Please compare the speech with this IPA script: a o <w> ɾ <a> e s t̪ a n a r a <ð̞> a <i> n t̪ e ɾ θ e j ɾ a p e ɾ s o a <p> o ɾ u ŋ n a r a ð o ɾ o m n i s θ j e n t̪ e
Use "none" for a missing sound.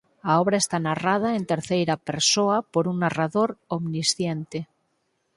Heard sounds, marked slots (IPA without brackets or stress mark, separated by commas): β, a, ð̞, e, p